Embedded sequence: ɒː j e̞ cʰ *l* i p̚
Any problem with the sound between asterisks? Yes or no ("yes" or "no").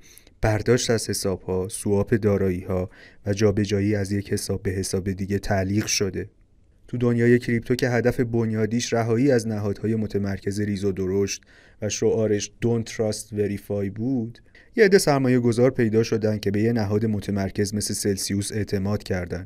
yes